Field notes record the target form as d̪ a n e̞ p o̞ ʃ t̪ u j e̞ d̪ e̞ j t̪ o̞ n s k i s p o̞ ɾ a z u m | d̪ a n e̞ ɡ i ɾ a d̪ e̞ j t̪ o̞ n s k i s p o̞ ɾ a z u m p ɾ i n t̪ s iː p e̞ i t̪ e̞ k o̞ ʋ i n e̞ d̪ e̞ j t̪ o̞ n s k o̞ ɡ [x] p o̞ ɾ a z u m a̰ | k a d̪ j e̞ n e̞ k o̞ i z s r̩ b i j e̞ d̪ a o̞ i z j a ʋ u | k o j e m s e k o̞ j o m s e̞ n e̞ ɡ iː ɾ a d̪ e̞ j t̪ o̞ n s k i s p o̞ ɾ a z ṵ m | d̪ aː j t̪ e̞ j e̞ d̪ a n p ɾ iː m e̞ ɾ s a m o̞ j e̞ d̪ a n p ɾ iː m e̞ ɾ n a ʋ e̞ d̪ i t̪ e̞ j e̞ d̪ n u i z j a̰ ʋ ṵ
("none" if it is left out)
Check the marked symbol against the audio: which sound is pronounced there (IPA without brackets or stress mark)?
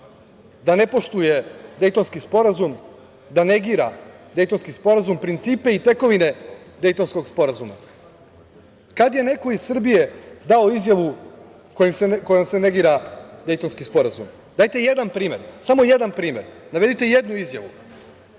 s